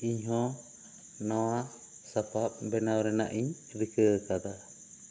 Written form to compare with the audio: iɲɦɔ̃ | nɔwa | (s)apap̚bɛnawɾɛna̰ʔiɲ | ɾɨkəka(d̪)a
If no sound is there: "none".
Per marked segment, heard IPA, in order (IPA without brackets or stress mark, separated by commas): s, d̪